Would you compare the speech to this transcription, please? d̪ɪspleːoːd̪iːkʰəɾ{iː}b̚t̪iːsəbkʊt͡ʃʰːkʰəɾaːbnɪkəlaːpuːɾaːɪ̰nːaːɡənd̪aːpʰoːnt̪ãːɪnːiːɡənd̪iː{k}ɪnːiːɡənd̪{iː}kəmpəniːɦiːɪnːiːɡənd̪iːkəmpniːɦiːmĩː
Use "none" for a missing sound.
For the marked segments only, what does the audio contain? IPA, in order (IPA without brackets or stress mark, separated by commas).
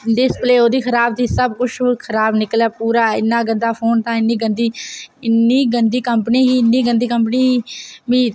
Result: aː, none, iː